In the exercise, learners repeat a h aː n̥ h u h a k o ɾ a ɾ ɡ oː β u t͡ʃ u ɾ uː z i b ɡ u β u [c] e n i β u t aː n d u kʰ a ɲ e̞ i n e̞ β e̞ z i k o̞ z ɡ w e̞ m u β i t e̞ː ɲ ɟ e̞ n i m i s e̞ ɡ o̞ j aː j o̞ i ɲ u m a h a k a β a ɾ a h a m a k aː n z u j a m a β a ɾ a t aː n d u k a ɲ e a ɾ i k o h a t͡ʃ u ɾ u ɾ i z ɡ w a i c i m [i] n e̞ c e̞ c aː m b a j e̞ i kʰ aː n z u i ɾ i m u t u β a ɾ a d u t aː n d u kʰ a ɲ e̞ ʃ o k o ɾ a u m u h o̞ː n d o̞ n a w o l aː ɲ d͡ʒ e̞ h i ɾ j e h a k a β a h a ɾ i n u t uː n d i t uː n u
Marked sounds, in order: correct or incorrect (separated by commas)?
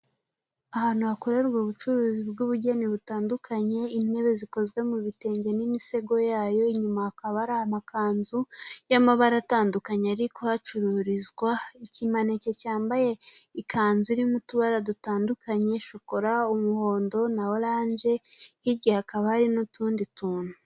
incorrect, incorrect